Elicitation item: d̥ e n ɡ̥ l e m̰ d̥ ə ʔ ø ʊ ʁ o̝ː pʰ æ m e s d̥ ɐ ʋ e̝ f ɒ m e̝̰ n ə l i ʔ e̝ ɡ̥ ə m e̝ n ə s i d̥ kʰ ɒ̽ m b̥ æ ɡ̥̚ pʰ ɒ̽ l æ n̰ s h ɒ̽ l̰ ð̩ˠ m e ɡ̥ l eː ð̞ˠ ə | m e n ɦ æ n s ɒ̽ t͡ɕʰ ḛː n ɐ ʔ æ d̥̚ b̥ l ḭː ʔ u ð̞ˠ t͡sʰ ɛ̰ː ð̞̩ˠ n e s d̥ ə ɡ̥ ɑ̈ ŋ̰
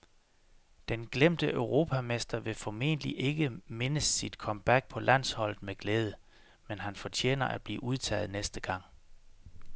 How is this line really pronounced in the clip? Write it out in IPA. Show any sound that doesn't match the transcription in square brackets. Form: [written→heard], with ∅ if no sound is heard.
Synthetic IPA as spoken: d̥ e n ɡ̥ l e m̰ d̥ ə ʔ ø ʊ ʁ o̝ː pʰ æ m e s d̥ ɐ ʋ e̝ f ɒ m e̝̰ n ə l i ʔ e̝ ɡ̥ ə m e̝ n ə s i d̥ kʰ ɒ̽ m b̥ æ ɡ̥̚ pʰ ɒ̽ l æ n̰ s h ɒ̽ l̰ ð̩ˠ m e ɡ̥ l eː ð̞ˠ ə | m e n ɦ æ n [s→f] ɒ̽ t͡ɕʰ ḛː n ɐ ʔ æ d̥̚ b̥ l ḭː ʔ u ð̞ˠ t͡sʰ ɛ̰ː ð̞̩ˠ n e s d̥ ə ɡ̥ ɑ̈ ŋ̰